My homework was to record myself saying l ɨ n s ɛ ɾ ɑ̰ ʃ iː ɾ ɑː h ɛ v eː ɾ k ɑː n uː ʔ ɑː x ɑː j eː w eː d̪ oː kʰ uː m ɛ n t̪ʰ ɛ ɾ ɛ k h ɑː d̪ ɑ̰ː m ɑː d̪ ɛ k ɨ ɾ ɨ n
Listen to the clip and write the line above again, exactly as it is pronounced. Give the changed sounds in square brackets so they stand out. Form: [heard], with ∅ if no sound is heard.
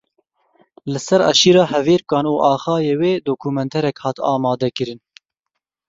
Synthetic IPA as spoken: l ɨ [∅] s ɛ ɾ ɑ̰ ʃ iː ɾ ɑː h ɛ v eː ɾ k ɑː n uː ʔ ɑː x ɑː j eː w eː d̪ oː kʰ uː m ɛ n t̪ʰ ɛ ɾ ɛ k h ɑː [t̪] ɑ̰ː m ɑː d̪ ɛ k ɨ ɾ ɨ n